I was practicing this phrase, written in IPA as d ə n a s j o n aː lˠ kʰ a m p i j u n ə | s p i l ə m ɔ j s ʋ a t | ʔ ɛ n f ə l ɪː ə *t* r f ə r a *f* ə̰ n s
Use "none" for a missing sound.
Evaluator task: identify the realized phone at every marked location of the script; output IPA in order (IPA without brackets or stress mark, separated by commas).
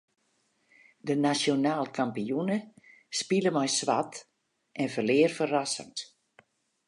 none, s